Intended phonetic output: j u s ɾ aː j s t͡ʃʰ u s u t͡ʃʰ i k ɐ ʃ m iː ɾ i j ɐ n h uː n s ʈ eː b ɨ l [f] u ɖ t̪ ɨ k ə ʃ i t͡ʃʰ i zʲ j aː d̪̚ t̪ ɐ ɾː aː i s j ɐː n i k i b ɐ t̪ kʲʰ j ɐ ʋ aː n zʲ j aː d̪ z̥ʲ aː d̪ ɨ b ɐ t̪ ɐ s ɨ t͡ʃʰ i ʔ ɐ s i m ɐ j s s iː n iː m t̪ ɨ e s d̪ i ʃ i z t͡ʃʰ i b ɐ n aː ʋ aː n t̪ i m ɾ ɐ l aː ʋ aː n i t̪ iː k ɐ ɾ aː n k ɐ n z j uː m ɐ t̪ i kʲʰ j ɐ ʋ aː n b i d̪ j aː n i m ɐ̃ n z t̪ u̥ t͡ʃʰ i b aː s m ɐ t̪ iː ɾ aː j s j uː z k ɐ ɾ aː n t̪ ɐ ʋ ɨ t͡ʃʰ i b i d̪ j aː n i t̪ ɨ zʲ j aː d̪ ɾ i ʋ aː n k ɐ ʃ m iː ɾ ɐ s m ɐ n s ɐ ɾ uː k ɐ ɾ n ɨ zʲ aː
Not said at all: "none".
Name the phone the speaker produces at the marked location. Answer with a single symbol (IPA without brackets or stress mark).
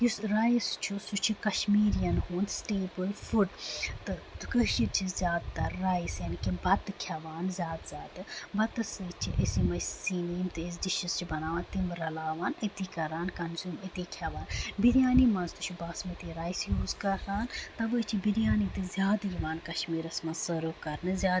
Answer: f